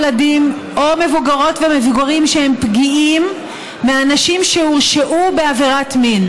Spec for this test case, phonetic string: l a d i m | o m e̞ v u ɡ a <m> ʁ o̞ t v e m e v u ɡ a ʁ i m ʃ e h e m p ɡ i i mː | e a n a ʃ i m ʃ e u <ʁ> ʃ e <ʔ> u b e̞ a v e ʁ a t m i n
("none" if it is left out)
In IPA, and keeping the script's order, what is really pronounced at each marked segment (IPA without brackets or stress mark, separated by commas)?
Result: none, ʁ, ʔ